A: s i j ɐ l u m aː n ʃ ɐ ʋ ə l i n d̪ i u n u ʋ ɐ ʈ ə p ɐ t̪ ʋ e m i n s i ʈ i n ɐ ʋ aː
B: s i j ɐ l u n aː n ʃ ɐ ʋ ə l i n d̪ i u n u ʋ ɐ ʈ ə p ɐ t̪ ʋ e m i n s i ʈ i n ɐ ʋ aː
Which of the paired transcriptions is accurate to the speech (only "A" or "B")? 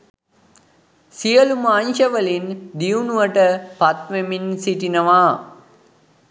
A